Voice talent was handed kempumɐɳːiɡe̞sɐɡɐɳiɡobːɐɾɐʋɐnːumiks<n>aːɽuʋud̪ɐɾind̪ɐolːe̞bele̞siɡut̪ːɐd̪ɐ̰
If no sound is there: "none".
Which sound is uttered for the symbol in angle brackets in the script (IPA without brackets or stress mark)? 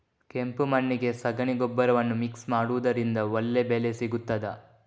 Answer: m